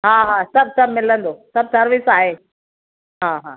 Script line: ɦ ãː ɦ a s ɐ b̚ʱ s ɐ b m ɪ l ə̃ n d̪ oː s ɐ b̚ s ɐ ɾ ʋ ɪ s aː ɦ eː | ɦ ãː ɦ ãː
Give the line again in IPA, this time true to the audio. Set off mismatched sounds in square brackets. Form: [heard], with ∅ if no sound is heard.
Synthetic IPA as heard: ɦ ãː ɦ a s ɐ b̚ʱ s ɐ b m ɪ l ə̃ n d̪ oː s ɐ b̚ s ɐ ɾ ʋ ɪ s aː ɦ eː | ɦ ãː ɦ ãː